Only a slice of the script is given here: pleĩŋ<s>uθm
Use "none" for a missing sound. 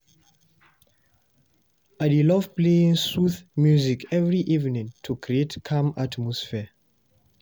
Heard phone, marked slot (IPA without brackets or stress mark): s